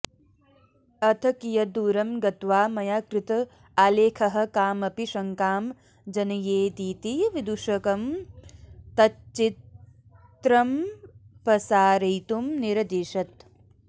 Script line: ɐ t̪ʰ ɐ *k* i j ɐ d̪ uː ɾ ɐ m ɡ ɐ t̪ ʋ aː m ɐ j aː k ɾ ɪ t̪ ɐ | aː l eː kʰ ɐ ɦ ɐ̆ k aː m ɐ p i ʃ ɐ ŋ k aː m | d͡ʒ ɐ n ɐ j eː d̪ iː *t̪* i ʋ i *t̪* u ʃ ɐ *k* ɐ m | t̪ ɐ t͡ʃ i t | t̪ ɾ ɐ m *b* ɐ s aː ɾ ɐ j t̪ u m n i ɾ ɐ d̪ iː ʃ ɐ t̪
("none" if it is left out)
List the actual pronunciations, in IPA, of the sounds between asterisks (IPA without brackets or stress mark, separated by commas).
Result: k, t̪, d̪, k, p